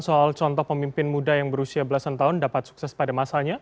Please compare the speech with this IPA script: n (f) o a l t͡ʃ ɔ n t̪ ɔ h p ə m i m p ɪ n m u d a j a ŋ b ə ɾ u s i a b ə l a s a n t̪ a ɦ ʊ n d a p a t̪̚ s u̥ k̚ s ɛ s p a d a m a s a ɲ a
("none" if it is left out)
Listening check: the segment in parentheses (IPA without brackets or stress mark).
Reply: s